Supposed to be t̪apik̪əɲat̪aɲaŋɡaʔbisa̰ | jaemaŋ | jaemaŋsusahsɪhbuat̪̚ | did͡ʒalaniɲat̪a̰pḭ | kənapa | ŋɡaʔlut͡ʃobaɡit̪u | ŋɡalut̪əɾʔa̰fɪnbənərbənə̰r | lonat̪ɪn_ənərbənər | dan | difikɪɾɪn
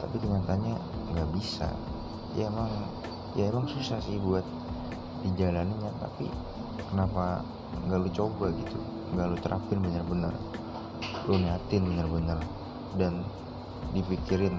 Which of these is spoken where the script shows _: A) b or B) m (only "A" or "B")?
A